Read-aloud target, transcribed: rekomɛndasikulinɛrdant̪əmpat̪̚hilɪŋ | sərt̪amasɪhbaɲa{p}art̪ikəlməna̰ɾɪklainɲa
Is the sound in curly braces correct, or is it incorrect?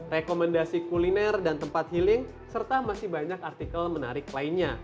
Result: incorrect